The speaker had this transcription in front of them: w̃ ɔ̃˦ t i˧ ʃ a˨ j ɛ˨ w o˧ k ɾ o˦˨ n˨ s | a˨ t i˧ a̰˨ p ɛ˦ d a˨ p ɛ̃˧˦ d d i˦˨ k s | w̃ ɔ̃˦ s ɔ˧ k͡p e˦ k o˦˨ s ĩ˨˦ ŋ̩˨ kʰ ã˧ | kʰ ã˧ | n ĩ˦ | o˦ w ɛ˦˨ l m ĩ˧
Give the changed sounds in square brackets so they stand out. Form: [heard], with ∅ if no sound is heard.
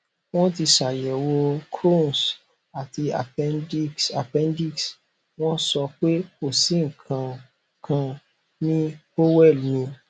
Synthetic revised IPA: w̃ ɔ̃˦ t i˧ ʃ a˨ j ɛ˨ w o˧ k ɾ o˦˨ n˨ s | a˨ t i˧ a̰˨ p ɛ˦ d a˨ p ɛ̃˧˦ [n] d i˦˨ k s | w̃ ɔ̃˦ s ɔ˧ k͡p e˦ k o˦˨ s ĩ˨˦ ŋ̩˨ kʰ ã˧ | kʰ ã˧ | n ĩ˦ | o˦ w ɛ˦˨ l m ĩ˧